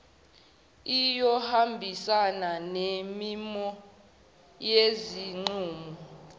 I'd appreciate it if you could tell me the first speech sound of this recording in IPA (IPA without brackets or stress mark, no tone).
i